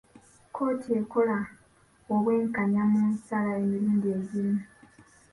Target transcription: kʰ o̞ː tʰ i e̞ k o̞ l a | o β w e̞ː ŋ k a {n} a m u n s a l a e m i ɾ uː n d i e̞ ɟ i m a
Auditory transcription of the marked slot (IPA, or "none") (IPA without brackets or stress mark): ɲ